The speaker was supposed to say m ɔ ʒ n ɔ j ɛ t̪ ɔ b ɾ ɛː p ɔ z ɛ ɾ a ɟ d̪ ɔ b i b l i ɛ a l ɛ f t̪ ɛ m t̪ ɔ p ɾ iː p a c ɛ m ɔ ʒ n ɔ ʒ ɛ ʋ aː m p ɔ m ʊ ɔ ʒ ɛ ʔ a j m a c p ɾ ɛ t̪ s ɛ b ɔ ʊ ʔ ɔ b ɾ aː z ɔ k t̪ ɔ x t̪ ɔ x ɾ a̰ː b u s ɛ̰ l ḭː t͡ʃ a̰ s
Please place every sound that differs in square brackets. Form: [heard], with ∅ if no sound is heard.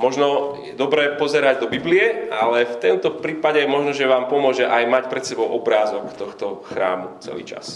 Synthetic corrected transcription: m ɔ ʒ n ɔ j ɛ [d̪] ɔ b ɾ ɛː p ɔ z ɛ ɾ a ɟ d̪ ɔ b i b l i ɛ a l ɛ f t̪ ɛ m t̪ ɔ p ɾ iː p a [ɟ] ɛ m ɔ ʒ n ɔ ʒ ɛ ʋ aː m p ɔ m ʊ ɔ ʒ ɛ ʔ a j m a c p ɾ ɛ t̪ s ɛ b ɔ ʊ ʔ ɔ b ɾ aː z ɔ k t̪ ɔ x t̪ ɔ x ɾ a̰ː [m] u [t͡s] ɛ̰ l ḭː t͡ʃ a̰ s